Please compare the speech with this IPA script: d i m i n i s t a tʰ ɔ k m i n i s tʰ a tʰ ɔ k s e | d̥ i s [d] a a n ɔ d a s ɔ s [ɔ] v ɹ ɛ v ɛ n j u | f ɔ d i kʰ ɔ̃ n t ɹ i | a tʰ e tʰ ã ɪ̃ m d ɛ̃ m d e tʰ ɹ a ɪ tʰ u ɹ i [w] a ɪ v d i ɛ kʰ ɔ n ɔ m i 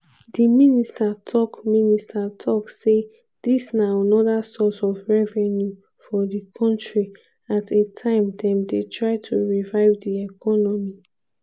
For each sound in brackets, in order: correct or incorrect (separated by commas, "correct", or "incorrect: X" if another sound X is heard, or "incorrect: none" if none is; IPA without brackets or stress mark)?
incorrect: n, correct, incorrect: v